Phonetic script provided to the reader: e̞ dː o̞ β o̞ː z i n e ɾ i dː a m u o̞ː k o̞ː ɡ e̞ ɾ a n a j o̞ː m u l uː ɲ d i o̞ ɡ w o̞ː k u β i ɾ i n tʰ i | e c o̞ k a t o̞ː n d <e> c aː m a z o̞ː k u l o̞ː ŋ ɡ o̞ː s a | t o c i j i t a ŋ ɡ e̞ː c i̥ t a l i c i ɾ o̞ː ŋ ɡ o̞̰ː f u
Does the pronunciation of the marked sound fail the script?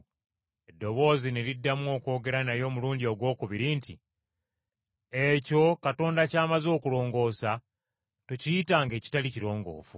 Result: yes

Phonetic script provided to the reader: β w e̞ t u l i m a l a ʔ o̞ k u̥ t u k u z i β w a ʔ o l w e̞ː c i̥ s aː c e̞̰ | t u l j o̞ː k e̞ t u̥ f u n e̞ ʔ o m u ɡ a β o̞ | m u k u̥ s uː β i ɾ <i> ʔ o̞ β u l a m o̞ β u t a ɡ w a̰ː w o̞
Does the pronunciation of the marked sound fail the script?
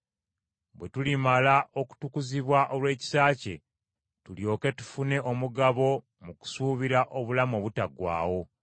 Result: yes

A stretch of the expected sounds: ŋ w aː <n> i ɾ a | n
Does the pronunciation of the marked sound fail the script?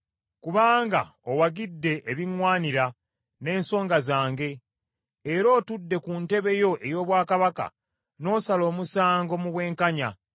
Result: no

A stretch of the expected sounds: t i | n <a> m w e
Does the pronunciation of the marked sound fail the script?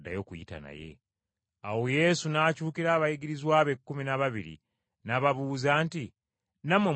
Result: no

